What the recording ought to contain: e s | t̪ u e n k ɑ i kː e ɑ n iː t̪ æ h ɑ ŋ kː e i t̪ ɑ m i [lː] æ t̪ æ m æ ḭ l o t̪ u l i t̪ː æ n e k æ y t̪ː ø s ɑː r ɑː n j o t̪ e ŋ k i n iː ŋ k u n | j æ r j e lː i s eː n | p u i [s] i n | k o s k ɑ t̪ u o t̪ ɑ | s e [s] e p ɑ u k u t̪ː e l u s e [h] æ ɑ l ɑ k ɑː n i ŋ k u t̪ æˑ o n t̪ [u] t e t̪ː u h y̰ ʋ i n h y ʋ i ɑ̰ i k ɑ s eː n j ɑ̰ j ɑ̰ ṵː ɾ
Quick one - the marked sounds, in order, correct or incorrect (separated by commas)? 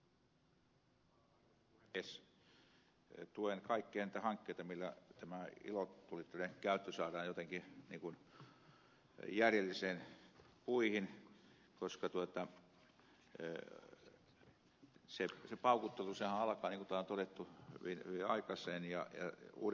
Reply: correct, incorrect, correct, correct, incorrect